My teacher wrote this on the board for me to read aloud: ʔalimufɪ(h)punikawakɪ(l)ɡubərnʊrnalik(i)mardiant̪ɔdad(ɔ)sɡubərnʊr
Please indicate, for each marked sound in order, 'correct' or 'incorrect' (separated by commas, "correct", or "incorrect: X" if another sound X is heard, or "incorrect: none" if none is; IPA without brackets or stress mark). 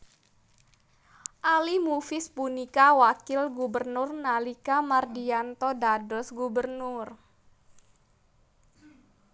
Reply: incorrect: s, correct, incorrect: a, correct